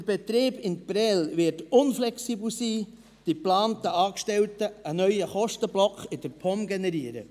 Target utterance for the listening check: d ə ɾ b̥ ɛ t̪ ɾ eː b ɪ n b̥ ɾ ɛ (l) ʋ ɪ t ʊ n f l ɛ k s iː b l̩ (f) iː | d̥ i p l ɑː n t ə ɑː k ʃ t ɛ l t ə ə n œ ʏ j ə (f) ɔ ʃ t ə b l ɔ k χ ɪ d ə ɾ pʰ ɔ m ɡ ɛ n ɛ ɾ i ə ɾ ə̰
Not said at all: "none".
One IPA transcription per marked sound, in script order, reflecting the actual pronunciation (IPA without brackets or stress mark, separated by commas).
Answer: l, s, χ